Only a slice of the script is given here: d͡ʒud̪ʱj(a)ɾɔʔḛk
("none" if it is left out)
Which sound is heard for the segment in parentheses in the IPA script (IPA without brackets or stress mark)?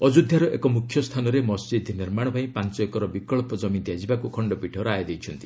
a